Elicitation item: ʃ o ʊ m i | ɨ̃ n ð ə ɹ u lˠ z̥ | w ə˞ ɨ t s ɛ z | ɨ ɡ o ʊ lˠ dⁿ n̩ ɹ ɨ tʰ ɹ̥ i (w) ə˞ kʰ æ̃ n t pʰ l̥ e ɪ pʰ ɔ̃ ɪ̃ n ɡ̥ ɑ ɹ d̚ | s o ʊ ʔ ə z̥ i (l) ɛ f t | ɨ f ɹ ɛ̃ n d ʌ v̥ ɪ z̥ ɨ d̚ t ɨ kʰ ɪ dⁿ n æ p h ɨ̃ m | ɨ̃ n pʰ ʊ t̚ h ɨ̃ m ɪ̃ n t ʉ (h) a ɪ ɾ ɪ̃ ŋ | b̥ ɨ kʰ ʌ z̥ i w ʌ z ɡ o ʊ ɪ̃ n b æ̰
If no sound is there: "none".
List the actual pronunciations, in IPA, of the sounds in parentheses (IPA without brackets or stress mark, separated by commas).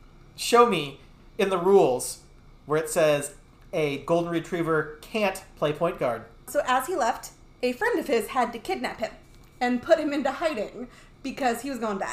v, l, h